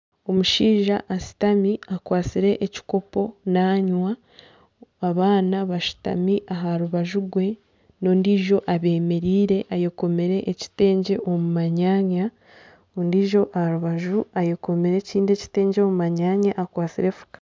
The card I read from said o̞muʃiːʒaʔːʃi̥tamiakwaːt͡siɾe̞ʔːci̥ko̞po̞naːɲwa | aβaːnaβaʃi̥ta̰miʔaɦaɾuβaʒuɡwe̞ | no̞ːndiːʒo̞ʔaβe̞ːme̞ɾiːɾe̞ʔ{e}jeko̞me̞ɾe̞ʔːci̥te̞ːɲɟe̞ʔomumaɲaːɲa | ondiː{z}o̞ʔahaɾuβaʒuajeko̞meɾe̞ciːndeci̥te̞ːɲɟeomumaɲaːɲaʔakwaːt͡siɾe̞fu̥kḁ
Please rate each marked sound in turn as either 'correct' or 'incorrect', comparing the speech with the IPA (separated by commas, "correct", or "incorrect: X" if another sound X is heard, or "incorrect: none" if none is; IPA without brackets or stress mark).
incorrect: a, incorrect: ʒ